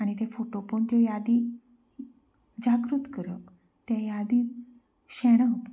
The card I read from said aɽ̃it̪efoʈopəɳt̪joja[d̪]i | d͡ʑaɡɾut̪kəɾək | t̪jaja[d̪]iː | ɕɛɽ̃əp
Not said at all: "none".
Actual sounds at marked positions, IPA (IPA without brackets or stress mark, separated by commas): d̪, d̪